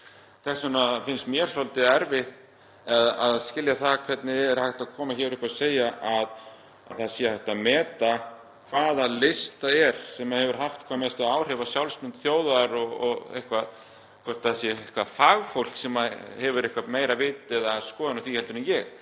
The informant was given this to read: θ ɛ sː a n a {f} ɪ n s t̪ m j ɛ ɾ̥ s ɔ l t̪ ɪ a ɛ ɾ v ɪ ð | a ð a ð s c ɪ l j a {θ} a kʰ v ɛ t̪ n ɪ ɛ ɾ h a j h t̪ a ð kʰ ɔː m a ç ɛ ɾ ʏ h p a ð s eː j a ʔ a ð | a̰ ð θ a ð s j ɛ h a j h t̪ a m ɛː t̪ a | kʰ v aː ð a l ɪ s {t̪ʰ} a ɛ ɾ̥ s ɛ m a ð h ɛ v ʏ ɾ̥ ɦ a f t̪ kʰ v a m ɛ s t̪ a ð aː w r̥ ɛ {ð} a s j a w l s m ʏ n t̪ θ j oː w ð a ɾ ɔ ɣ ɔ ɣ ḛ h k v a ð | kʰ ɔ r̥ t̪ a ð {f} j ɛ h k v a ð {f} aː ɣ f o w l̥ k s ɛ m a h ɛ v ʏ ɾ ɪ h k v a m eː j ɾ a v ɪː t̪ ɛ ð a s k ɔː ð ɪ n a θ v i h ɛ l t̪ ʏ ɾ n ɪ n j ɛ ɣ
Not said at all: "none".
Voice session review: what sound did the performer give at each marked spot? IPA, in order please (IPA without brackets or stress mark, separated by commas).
f, θ, t̪, v, s, f